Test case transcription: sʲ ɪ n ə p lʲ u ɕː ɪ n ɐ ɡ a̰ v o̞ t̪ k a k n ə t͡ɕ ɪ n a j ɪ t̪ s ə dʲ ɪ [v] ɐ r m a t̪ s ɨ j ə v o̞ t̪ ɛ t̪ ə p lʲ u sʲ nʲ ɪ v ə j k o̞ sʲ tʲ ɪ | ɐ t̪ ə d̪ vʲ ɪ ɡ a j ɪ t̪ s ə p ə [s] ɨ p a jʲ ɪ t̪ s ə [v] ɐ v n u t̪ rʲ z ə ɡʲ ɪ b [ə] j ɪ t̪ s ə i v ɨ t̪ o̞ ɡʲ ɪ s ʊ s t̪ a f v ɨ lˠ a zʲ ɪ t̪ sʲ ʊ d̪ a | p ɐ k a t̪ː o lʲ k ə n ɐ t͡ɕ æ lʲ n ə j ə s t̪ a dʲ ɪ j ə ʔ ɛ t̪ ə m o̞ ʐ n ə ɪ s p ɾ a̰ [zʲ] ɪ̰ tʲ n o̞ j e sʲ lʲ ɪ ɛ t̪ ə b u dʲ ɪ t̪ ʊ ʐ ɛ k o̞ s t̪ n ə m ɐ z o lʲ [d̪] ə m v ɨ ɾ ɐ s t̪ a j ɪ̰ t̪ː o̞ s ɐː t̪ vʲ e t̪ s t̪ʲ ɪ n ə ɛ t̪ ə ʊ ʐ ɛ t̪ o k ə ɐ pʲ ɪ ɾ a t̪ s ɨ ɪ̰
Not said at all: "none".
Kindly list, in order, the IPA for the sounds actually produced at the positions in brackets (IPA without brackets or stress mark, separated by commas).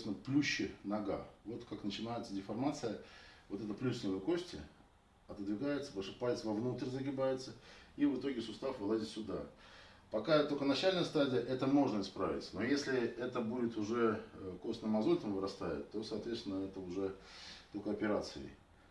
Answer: f, ʂ, v, a, vʲ, t̪